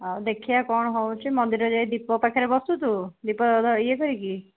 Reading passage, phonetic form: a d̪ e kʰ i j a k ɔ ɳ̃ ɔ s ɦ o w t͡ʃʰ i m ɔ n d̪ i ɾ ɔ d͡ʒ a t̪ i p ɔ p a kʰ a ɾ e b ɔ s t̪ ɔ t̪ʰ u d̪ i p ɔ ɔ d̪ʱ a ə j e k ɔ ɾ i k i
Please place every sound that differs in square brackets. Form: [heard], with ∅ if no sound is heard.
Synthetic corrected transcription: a d̪ e kʰ i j a k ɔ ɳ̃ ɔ [∅] ɦ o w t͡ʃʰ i m ɔ n d̪ i ɾ ɔ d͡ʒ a [d̪] i p ɔ p a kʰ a ɾ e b ɔ s t̪ [u] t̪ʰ u d̪ i p ɔ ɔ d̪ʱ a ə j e k ɔ ɾ i k i